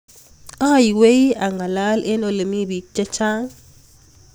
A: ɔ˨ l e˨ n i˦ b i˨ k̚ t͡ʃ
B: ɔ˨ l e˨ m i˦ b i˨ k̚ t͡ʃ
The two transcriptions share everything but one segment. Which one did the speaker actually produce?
B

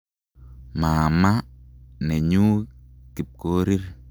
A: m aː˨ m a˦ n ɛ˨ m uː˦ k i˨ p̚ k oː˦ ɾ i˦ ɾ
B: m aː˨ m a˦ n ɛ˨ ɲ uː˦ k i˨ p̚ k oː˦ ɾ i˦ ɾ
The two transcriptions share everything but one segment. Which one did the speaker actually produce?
B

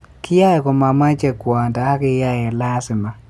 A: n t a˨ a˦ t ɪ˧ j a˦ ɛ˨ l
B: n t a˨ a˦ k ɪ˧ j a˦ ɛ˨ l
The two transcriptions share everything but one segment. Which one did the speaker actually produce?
B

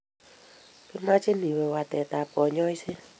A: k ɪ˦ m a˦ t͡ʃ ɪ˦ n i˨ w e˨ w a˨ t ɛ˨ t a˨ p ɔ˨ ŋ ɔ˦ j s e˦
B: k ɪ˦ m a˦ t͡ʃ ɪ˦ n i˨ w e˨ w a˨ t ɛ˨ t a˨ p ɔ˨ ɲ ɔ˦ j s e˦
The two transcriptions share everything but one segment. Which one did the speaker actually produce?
B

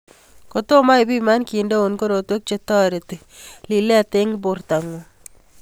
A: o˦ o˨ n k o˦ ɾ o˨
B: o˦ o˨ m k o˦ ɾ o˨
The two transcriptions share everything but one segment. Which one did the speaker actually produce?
A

